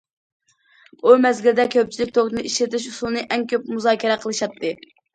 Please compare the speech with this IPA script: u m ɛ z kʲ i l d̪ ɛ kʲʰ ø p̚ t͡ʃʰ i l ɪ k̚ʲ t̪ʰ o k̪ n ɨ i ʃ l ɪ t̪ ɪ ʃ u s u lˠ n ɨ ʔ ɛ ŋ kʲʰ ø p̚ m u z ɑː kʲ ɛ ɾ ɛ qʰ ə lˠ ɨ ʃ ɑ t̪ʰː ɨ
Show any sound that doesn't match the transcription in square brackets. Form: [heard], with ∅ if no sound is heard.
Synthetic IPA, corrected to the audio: u m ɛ z [ɡʲ] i l d̪ ɛ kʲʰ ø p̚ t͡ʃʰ i l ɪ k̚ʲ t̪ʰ o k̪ n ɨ i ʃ l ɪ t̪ ɪ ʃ u s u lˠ n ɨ ʔ ɛ ŋ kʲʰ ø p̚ m u z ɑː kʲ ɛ ɾ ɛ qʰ ə lˠ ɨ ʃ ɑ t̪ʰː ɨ

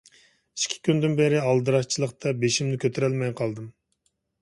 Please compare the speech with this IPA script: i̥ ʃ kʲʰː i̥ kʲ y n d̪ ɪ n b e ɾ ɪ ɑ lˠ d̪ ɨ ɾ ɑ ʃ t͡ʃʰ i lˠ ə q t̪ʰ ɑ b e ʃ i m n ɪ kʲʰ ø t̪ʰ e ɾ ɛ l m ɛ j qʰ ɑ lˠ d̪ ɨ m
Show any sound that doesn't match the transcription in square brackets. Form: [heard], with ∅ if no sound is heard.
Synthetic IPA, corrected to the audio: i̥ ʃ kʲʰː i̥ kʲ y n d̪ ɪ n b e ɾ ɪ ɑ lˠ d̪ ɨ ɾ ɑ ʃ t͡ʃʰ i lˠ ə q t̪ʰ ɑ b e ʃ i m n ɪ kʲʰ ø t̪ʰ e ɾ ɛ l m ɛ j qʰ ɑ lˠ d̪ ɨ m

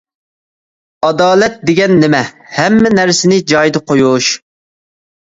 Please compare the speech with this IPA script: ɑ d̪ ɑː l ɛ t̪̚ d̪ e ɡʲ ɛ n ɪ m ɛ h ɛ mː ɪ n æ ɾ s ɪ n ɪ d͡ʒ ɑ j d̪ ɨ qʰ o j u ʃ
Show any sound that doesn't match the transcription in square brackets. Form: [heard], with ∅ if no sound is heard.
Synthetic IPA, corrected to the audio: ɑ d̪ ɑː l ɛ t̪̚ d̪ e ɡʲ ɛ [nː] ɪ m ɛ h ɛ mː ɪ n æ ɾ s ɪ n ɪ d͡ʒ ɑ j d̪ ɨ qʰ o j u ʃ

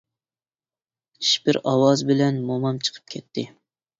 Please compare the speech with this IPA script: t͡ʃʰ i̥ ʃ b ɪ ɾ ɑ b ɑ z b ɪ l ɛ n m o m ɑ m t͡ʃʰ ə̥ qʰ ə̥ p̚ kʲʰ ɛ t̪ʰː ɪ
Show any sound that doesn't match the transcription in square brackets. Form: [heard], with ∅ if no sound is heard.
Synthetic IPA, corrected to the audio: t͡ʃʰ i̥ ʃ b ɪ ɾ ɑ [w] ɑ z b ɪ l ɛ n m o m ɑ m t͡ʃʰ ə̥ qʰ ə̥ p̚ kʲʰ ɛ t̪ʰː ɪ

